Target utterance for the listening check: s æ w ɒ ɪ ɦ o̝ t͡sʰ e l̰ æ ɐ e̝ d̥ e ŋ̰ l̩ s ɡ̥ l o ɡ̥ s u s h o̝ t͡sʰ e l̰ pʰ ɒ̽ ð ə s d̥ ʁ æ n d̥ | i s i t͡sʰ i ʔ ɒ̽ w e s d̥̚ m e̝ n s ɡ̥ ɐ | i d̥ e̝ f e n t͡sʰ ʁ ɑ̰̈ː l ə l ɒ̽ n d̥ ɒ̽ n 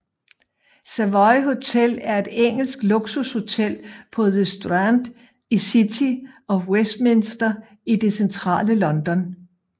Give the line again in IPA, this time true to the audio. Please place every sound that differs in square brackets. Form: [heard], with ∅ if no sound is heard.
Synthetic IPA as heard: s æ [ʋ] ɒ ɪ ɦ o̝ t͡sʰ e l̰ æ ɐ e̝ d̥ e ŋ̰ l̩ s ɡ̥ l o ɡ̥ s u s h o̝ t͡sʰ e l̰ pʰ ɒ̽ ð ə s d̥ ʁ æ n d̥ | i s i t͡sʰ i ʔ ɒ̽ w e s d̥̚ m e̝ n s [d̥] ɐ | i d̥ e̝ [s] e n t͡sʰ ʁ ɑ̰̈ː l ə l ɒ̽ n d̥ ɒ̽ n